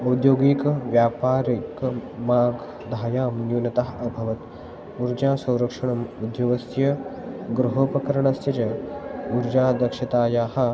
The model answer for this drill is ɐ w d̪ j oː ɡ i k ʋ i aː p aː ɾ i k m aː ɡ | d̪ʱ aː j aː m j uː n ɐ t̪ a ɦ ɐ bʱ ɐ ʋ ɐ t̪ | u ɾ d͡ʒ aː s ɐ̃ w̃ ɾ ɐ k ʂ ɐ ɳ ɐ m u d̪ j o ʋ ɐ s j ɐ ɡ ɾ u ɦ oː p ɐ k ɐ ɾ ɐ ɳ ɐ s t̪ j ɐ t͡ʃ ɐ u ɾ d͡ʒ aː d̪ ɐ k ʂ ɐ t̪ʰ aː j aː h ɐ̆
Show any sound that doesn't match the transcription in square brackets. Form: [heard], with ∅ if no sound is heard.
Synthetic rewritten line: ɐ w d̪ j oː ɡ i k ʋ [j] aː p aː ɾ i k m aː ɡ | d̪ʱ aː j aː m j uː n ɐ t̪ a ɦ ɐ bʱ ɐ ʋ ɐ t̪ | u ɾ d͡ʒ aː s ɐ̃ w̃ ɾ ɐ k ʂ ɐ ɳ ɐ m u d̪ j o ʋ ɐ s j ɐ ɡ ɾ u ɦ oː p ɐ k ɐ ɾ ɐ ɳ ɐ s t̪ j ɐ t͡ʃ ɐ u ɾ d͡ʒ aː d̪ ɐ k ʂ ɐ [t̪] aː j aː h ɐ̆

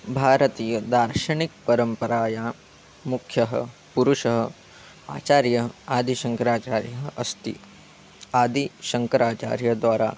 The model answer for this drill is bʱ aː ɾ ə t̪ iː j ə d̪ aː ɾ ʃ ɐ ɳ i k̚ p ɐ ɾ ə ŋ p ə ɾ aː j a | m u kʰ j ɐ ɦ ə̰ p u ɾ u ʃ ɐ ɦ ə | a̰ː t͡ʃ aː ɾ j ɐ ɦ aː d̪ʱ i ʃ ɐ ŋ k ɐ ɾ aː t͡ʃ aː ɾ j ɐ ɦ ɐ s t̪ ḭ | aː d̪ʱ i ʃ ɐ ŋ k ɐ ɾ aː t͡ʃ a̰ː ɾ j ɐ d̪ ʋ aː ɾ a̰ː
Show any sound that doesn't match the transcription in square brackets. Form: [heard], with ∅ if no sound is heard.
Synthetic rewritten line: bʱ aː ɾ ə t̪ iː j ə d̪ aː ɾ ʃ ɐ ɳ i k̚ p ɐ ɾ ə [m] p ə ɾ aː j a | m u kʰ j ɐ ɦ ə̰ p u ɾ u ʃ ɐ ɦ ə | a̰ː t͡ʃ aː ɾ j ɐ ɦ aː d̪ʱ i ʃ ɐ ŋ k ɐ ɾ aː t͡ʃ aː ɾ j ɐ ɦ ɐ s t̪ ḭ | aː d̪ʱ i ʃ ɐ ŋ k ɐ ɾ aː t͡ʃ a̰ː ɾ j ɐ d̪ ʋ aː ɾ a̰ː

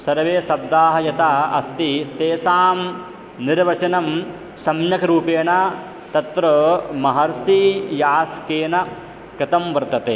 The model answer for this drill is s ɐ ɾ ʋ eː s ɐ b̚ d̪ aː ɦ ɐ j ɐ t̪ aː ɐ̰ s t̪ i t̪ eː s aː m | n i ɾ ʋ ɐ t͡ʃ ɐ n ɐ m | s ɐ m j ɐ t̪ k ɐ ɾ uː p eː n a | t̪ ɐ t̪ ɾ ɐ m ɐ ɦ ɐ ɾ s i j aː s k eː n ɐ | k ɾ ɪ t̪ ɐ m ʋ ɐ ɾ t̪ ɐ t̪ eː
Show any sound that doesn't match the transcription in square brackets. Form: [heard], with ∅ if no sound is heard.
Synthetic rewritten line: s ɐ ɾ ʋ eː s ɐ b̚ d̪ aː ɦ ɐ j ɐ t̪ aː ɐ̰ s t̪ i t̪ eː s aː m | n i ɾ ʋ ɐ t͡ʃ ɐ n ɐ m | s ɐ m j ɐ [∅] k ɐ ɾ uː p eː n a | t̪ ɐ t̪ ɾ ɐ m ɐ ɦ ɐ ɾ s i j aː s k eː n ɐ | k ɾ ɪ t̪ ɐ m ʋ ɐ ɾ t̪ ɐ t̪ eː

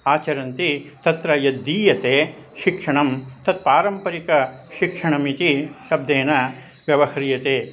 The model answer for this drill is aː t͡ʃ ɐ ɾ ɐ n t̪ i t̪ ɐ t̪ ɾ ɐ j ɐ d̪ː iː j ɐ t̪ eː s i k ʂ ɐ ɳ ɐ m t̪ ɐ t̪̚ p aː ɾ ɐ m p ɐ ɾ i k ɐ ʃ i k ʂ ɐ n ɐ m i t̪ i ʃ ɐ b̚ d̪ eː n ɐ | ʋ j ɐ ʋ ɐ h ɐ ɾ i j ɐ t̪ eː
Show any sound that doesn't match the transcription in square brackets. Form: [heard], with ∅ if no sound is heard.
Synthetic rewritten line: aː t͡ʃ ɐ ɾ ɐ n t̪ i t̪ ɐ t̪ ɾ ɐ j ɐ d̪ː iː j ɐ t̪ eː [ʃ] i k ʂ ɐ ɳ ɐ m t̪ ɐ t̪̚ p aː ɾ ɐ m p ɐ ɾ i k ɐ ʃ i k ʂ ɐ [ɳ] ɐ m i t̪ i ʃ ɐ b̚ d̪ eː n ɐ | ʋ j ɐ ʋ ɐ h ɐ ɾ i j ɐ t̪ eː

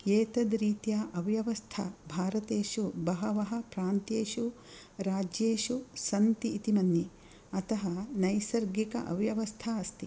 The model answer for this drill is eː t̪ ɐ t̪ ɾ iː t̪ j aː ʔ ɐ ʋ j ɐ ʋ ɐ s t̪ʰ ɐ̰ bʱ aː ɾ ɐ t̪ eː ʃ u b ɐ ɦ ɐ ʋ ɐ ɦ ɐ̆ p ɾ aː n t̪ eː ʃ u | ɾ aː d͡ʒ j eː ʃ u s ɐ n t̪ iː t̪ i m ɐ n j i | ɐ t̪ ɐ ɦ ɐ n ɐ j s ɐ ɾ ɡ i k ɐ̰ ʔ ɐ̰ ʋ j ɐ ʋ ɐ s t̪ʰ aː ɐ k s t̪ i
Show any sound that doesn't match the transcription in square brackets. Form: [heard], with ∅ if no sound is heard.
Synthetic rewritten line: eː t̪ ɐ [d̪] ɾ iː t̪ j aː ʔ ɐ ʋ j ɐ ʋ ɐ s t̪ʰ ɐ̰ bʱ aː ɾ ɐ t̪ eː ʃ u b ɐ ɦ ɐ ʋ ɐ ɦ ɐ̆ p ɾ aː n t̪ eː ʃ u | ɾ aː d͡ʒ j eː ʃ u s ɐ n t̪ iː t̪ i m ɐ n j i | ɐ t̪ ɐ ɦ ɐ n ɐ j s ɐ ɾ ɡ i k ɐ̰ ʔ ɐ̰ ʋ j ɐ ʋ ɐ s t̪ʰ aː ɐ [∅] s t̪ i

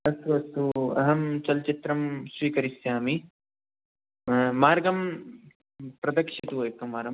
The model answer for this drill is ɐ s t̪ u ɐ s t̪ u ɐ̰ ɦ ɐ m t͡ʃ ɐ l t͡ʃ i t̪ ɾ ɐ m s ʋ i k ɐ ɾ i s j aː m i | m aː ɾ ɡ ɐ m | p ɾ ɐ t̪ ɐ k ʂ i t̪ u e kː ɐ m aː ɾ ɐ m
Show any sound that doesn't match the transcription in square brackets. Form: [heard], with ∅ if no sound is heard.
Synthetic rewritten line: ɐ s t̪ u ɐ s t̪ u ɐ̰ ɦ ɐ m t͡ʃ ɐ l t͡ʃ i t̪ ɾ ɐ m s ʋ [iː] k ɐ ɾ i s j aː m i | m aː ɾ ɡ ɐ m | p ɾ ɐ [d̪] ɐ k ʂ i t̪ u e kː ɐ m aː ɾ ɐ m

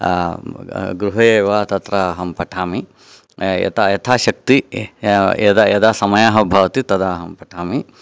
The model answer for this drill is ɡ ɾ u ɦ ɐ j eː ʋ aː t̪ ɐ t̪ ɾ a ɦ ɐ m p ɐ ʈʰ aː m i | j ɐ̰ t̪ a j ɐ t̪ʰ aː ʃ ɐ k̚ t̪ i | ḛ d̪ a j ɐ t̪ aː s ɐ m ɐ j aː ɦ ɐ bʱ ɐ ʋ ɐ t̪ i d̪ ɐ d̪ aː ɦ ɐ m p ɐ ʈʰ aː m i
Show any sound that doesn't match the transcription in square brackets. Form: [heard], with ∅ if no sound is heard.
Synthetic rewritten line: ɡ ɾ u ɦ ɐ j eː ʋ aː t̪ ɐ t̪ ɾ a ɦ ɐ m p ɐ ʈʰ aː m i | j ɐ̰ t̪ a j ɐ t̪ʰ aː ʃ ɐ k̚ t̪ i | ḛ d̪ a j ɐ [d̪] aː s ɐ m ɐ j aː ɦ ɐ bʱ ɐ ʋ ɐ t̪ i [t̪] ɐ d̪ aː ɦ ɐ m p ɐ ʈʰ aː m i

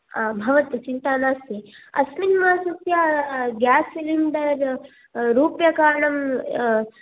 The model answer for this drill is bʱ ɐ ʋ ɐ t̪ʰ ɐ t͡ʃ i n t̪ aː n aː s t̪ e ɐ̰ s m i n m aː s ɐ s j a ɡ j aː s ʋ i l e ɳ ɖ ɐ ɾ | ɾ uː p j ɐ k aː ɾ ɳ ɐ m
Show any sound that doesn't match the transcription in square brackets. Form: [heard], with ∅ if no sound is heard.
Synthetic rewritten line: bʱ ɐ ʋ ɐ [t̪] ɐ t͡ʃ i n t̪ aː n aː s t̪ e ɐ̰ s m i n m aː s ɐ s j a ɡ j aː s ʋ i l [i] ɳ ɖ ɐ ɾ | ɾ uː p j ɐ k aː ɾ ɳ ɐ m

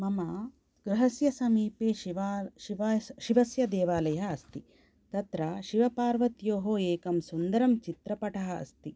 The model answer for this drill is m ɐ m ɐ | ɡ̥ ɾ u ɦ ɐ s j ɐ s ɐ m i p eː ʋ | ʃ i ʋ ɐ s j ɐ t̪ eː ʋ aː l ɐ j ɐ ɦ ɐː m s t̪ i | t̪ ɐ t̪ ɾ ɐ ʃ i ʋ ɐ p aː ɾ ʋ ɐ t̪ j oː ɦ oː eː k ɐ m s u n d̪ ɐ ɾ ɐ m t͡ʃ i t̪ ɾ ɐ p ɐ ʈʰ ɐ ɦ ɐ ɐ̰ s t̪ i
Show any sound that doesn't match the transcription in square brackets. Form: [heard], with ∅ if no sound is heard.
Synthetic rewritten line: m ɐ m ɐ | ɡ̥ ɾ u ɦ ɐ s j ɐ s ɐ m [iː] p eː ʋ | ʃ i ʋ ɐ s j ɐ [d̪] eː ʋ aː l ɐ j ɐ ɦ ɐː [∅] s t̪ i | t̪ ɐ t̪ ɾ ɐ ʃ i ʋ ɐ p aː ɾ ʋ ɐ t̪ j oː ɦ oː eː k ɐ m s u n d̪ ɐ ɾ ɐ m t͡ʃ i t̪ ɾ ɐ p ɐ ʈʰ ɐ ɦ ɐ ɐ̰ s t̪ i

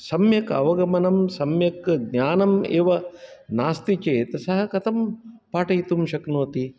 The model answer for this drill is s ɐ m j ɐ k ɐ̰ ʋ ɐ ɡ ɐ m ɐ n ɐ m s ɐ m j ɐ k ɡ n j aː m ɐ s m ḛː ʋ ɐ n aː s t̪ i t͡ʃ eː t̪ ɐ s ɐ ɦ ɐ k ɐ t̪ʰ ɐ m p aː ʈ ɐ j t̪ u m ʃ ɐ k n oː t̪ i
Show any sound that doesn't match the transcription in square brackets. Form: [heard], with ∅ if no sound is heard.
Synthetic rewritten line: s ɐ m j ɐ k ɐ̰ ʋ ɐ ɡ ɐ m ɐ n ɐ m s ɐ m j ɐ k ɡ n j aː [n] ɐ [∅] m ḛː ʋ ɐ n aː s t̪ i t͡ʃ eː t̪ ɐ s ɐ ɦ ɐ k ɐ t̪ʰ ɐ m p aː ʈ ɐ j t̪ u m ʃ ɐ k n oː t̪ i

